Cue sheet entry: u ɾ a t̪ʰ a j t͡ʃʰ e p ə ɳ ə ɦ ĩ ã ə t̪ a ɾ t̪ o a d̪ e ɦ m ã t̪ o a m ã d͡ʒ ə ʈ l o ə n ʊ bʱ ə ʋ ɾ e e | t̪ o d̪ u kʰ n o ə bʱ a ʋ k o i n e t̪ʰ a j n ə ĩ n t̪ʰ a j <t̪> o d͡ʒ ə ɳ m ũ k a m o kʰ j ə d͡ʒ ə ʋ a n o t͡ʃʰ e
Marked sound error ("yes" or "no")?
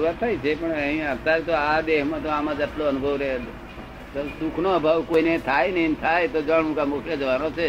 no